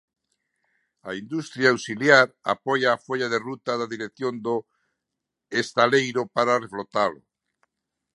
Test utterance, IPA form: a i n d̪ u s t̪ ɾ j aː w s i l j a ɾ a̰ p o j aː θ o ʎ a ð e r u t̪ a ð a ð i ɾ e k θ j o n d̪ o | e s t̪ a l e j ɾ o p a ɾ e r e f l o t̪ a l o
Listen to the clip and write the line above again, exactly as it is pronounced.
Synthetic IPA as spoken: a i n d̪ u s t̪ ɾ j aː w s i l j a ɾ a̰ p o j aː f o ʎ a ð e r u t̪ a ð a ð i ɾ e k θ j o n d̪ o | e s t̪ a l e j ɾ o p a ɾ a r e f l o t̪ a l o